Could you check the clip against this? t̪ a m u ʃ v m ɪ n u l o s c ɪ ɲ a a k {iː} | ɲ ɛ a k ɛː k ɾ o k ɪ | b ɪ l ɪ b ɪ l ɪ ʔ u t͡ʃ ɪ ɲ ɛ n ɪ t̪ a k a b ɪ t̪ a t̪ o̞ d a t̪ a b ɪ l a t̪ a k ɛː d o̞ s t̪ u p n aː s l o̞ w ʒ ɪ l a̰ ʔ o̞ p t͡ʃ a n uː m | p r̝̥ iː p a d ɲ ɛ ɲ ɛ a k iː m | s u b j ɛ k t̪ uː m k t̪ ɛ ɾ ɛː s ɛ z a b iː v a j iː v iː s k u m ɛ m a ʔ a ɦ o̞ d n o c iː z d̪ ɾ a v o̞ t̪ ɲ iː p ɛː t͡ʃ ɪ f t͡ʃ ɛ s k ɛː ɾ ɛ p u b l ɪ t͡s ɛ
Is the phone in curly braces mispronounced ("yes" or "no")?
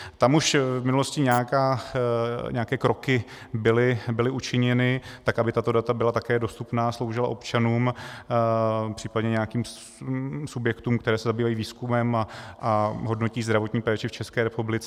yes